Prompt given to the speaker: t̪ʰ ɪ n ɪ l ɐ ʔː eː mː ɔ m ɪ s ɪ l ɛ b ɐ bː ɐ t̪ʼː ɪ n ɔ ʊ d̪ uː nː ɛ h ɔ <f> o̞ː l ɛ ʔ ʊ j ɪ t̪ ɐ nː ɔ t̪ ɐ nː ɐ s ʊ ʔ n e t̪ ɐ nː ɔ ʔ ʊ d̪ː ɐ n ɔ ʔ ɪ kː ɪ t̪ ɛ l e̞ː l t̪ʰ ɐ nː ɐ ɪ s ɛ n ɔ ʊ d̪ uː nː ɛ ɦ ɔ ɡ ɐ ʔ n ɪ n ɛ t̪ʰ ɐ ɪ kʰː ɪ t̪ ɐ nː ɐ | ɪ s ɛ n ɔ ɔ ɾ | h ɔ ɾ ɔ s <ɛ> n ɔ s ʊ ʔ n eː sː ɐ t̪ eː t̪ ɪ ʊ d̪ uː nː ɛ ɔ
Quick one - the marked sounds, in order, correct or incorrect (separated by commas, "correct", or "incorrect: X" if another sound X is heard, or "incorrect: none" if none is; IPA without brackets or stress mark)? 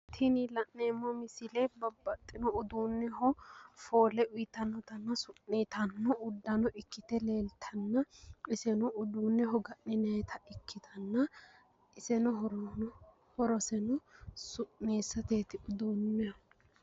correct, correct